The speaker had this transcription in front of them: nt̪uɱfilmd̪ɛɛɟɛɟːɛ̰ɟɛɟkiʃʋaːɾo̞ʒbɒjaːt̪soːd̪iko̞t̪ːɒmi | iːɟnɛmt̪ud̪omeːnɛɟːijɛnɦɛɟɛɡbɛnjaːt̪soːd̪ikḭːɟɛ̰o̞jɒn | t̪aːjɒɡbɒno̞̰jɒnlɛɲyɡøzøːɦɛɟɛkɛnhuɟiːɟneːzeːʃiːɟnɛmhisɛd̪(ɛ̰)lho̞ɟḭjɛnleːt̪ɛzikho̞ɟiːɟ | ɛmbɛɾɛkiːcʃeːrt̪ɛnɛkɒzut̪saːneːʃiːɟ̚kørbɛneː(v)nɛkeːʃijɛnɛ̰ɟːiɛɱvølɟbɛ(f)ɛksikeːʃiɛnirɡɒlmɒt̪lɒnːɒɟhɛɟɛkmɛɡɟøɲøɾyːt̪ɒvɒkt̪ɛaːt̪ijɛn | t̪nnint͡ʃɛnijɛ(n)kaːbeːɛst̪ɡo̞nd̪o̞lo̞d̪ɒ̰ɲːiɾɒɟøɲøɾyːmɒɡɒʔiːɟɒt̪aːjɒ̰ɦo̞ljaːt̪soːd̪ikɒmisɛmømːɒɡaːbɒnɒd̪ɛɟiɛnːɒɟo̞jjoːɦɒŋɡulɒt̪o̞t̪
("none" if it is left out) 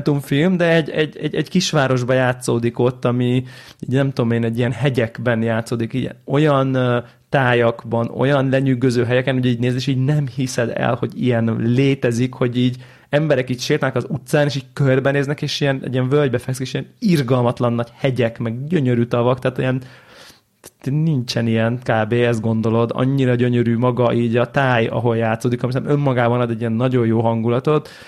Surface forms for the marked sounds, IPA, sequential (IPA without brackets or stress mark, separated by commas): ɛ̰, z, f, n